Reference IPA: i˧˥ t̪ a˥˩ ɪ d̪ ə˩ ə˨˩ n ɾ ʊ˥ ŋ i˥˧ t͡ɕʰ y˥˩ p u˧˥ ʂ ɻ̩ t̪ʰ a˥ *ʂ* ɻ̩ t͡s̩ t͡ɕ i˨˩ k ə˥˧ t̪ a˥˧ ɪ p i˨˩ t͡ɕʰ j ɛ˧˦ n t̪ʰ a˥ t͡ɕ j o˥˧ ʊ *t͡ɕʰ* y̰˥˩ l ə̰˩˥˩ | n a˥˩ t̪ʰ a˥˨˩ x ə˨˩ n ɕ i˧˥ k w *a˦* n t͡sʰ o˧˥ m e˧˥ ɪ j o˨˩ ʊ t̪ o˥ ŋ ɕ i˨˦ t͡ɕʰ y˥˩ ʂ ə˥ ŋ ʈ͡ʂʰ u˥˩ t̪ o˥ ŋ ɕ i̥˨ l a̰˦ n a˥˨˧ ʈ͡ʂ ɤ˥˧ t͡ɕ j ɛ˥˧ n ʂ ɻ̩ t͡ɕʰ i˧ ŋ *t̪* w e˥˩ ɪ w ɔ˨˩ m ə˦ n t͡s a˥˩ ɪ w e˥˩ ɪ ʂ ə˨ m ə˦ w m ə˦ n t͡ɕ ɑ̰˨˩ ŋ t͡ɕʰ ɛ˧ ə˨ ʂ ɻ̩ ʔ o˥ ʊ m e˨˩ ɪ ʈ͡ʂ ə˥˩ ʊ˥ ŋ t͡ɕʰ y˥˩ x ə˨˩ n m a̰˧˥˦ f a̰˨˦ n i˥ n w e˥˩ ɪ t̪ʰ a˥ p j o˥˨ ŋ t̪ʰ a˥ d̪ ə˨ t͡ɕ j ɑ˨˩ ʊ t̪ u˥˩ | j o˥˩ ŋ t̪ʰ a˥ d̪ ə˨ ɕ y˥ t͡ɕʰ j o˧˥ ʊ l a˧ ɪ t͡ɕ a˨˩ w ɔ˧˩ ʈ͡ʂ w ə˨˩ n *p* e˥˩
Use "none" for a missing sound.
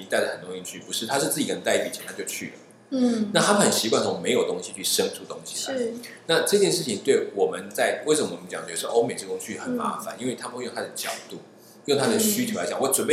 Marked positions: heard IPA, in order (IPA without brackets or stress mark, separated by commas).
ʂ, t͡ɕʰ, a˥˩, t̪, p